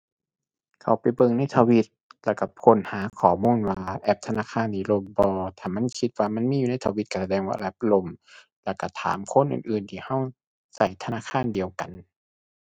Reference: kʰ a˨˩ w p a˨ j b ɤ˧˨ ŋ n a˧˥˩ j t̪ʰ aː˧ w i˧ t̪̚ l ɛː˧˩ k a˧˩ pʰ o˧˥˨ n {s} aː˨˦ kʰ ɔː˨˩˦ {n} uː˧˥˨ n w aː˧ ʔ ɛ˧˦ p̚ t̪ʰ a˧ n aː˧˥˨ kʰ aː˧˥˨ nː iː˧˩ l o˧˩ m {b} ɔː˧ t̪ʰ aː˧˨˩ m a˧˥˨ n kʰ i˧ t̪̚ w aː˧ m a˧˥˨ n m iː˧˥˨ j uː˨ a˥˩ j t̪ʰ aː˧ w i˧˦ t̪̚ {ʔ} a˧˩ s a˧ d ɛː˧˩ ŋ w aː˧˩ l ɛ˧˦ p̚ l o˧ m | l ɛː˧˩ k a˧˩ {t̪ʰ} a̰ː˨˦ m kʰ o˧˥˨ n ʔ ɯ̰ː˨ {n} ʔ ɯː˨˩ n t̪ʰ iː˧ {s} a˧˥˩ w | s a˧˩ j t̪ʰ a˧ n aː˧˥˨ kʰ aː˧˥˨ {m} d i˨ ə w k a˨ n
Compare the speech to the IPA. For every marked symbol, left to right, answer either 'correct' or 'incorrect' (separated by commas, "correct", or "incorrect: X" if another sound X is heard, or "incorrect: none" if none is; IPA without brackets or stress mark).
incorrect: h, incorrect: m, correct, incorrect: k, correct, correct, incorrect: h, incorrect: n